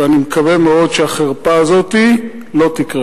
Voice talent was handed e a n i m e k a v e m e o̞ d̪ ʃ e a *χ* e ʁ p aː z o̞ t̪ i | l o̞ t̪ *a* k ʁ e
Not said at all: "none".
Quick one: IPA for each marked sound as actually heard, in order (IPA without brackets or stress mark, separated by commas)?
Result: χ, i